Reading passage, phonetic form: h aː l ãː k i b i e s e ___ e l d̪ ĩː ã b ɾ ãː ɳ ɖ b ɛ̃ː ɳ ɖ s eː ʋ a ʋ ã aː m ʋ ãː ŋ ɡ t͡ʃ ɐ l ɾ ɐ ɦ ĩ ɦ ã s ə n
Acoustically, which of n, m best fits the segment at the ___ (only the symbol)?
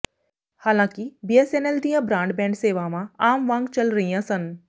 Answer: n